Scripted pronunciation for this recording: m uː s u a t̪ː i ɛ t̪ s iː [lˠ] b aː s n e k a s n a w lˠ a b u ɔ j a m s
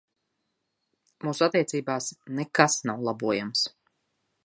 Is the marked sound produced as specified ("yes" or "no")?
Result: no